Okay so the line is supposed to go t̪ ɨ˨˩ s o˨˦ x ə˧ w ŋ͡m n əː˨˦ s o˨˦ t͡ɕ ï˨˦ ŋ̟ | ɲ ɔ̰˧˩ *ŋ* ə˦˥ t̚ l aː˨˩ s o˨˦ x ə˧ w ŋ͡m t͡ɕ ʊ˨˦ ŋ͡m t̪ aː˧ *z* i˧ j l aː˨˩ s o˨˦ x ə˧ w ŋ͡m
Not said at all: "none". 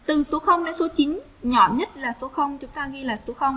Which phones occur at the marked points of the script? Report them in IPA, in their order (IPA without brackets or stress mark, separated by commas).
ɲ, ɣ